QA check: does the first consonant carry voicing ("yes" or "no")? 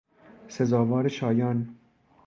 no